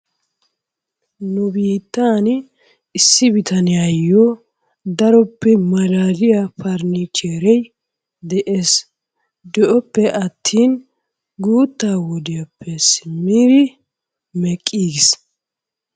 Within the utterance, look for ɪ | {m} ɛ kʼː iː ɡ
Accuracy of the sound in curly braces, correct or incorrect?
correct